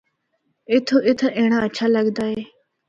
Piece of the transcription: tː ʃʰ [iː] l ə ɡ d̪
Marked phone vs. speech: incorrect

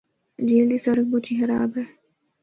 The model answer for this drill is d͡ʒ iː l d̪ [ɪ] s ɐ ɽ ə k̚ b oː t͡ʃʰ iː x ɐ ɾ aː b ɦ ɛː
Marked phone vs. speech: incorrect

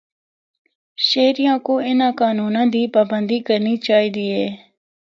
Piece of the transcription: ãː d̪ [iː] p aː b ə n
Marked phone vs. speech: correct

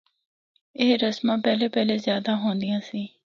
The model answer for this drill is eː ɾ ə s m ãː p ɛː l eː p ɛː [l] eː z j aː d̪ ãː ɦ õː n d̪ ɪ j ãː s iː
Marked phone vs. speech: correct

